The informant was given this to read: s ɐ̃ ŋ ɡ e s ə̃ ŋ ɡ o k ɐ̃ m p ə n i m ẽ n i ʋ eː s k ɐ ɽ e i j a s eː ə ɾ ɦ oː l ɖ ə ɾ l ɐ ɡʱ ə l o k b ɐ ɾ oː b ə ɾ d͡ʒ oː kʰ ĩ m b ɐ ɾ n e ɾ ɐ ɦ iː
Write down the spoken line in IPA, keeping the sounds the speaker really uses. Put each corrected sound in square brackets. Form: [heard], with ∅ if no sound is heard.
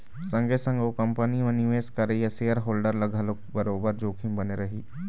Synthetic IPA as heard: s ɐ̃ ŋ ɡ e s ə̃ ŋ ɡ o k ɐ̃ m p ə n i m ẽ n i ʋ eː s k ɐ [ɾ] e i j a s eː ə ɾ ɦ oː l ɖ ə ɾ l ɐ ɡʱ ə l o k b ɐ ɾ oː b ə ɾ d͡ʒ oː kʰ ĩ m b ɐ [∅] n e ɾ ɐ ɦ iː